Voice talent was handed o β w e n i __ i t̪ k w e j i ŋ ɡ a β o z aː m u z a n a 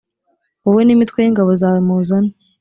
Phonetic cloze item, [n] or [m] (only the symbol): m